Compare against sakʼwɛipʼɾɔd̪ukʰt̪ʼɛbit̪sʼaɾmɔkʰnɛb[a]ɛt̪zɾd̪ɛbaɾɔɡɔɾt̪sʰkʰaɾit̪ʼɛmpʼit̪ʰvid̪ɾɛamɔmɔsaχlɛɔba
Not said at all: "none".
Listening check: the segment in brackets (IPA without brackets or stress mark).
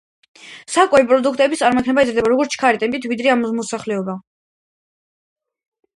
a